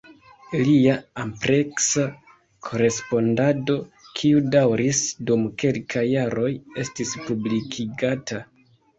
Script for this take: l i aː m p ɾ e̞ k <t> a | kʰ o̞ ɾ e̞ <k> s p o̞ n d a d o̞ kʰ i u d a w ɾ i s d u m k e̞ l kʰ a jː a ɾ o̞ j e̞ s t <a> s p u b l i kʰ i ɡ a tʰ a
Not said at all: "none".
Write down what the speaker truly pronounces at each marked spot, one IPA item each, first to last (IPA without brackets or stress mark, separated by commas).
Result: s, none, i